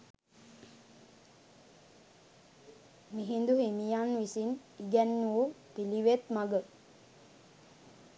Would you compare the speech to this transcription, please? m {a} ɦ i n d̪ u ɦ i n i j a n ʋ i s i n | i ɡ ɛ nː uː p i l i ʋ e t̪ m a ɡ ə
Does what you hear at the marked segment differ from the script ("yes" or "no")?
yes